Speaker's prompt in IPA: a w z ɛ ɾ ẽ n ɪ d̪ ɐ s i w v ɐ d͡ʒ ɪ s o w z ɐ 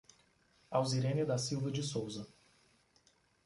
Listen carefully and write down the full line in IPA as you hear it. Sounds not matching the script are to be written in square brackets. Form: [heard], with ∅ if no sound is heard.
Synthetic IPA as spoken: a w z [i] ɾ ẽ n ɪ d̪ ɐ s i w v ɐ d͡ʒ ɪ s o w z ɐ